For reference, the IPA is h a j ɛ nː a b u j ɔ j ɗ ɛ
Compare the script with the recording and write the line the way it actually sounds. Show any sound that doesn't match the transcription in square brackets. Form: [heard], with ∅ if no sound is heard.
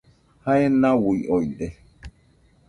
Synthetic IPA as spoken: h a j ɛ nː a [w] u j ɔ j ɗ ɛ